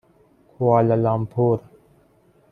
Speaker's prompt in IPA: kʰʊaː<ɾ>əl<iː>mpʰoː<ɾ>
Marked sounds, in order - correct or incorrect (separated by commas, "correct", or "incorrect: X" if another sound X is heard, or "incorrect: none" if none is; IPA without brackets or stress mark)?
incorrect: l, incorrect: aː, correct